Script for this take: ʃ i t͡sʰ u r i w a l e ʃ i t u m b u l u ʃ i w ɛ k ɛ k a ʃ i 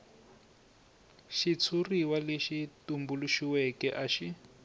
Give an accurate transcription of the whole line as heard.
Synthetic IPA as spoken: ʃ i t͡sʰ u r i w a l e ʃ i t u m b u l u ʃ i w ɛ k ɛ ʔ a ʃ i